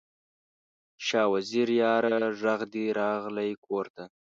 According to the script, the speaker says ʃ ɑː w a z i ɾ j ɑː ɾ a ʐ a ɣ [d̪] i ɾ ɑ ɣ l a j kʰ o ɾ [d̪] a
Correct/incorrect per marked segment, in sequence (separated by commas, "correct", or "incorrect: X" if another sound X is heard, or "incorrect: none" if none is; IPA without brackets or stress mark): correct, incorrect: t̪